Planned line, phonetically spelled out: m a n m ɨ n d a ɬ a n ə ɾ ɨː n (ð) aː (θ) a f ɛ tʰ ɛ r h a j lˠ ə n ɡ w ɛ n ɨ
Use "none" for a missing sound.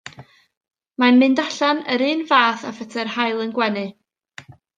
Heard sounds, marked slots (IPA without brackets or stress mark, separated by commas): v, θ